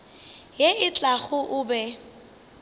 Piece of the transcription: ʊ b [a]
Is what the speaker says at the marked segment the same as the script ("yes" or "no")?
no